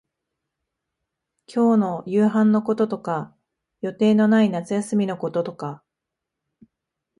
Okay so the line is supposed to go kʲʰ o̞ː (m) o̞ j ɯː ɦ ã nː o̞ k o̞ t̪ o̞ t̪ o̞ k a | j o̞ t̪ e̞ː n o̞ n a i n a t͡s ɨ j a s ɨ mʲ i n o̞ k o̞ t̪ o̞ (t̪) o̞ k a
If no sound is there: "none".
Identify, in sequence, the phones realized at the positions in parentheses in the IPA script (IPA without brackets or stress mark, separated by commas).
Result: n, t̪